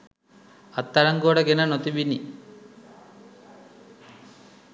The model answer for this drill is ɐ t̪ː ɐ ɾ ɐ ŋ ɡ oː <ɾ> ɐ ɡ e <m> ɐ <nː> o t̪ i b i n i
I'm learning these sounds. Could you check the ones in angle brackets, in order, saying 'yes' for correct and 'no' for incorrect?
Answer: no, no, no

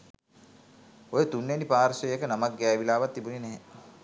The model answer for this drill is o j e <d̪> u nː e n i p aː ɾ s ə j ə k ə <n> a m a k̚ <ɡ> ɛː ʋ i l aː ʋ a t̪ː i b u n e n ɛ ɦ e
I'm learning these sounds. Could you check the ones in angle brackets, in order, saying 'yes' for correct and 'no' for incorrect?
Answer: no, yes, yes

